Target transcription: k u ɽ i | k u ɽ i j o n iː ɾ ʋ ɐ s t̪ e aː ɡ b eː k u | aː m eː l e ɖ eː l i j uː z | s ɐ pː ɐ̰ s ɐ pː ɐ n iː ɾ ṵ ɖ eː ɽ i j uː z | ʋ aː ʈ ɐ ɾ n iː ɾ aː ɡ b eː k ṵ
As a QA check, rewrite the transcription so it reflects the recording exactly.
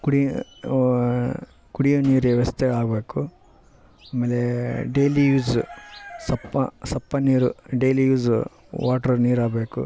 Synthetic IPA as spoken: k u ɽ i | k u ɽ i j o n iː ɾ ʋ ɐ s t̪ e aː ɡ b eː k u | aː m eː l e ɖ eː l i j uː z | s ɐ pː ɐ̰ s ɐ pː ɐ n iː ɾ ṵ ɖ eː l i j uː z | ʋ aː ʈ ɐ ɾ n iː ɾ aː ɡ b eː k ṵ